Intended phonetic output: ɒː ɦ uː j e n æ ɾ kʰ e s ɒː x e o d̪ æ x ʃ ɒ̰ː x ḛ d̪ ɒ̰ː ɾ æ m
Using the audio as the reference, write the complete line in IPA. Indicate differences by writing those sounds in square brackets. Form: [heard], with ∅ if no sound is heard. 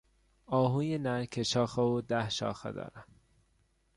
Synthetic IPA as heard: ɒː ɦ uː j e n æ ɾ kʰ e [ʃ] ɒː x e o d̪ æ [h] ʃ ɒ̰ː x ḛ d̪ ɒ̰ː ɾ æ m